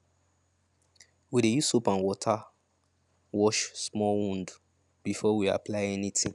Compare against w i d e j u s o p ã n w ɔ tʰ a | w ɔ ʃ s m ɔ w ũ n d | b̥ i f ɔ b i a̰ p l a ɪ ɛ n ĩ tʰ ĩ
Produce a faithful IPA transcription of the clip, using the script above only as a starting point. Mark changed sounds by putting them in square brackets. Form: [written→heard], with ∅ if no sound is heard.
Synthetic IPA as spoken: w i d e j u s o p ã n w ɔ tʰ a | w ɔ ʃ s m ɔ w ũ n d | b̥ i f ɔ [b→w] i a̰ p l a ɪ ɛ n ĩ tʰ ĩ